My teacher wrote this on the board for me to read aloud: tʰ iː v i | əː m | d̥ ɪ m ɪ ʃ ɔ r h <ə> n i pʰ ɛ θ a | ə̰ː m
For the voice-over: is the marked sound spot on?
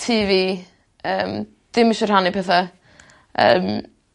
no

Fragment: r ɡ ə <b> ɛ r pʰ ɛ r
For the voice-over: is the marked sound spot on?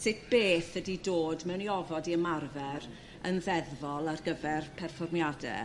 no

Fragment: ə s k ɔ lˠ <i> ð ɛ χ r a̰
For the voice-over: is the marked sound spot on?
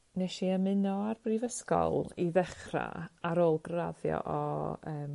yes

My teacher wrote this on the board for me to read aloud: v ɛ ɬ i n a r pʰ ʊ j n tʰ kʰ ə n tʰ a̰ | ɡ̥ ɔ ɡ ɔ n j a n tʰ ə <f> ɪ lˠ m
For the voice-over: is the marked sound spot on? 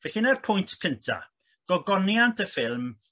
yes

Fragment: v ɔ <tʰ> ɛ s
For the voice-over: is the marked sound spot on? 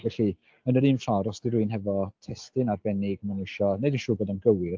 yes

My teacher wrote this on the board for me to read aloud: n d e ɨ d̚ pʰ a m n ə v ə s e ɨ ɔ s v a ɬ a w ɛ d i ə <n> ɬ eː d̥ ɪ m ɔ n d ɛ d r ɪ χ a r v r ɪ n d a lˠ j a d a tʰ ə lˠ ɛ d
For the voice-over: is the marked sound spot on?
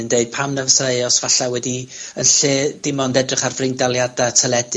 yes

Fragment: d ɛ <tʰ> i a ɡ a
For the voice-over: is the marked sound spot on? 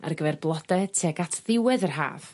yes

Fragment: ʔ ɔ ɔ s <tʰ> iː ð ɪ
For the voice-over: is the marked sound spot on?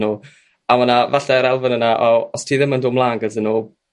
yes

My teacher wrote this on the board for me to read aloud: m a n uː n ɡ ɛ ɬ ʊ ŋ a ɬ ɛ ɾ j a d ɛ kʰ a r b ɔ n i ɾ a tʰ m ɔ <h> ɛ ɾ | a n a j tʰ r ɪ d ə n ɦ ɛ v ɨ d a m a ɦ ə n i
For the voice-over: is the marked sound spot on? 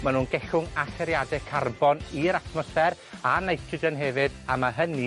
no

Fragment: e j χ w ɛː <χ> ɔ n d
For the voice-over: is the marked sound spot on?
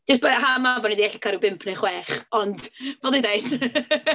yes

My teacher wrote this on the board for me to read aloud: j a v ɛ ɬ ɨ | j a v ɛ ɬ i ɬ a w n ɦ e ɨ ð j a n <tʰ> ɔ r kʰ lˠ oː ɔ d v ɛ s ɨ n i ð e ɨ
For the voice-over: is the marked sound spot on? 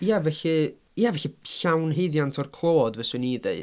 yes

